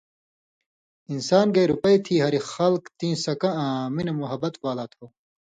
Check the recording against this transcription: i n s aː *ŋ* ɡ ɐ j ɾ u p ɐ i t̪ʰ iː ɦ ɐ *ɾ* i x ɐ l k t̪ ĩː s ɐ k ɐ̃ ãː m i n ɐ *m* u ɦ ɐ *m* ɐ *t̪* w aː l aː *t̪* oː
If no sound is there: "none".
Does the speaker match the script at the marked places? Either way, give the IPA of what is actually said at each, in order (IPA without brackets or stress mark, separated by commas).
n, ɾ, m, b, t̪, t̪ʰ